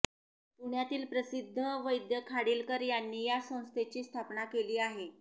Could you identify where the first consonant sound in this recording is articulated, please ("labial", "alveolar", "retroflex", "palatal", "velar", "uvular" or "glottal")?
labial